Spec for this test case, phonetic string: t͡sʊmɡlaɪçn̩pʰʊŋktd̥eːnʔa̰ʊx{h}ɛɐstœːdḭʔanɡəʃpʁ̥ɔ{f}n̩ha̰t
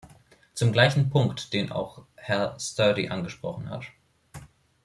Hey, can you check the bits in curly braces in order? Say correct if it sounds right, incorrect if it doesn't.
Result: correct, incorrect: χ

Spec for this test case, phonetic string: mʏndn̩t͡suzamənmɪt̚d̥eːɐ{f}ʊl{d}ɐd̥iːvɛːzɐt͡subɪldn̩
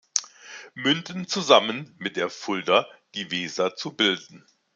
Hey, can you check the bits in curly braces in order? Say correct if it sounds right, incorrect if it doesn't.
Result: correct, correct

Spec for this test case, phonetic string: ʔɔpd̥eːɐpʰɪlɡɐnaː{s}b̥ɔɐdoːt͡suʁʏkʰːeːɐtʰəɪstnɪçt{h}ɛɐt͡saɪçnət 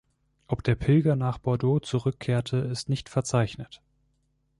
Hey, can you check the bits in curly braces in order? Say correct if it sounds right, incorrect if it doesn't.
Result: incorrect: χ, incorrect: f

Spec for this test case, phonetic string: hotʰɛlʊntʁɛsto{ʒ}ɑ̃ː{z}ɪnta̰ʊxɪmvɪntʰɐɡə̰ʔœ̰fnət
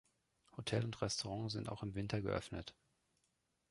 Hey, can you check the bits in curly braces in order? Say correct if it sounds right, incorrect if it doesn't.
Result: incorrect: ʁ, correct

